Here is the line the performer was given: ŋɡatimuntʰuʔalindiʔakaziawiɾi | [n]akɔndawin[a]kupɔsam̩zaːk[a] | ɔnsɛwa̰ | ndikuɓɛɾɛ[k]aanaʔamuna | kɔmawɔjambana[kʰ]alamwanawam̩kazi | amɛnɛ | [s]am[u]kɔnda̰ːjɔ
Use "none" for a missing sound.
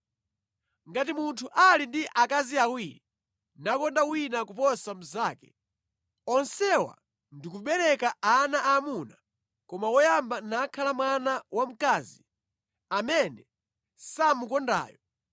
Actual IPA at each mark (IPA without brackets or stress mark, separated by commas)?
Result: n, a, ɛ, k, kʰ, s, u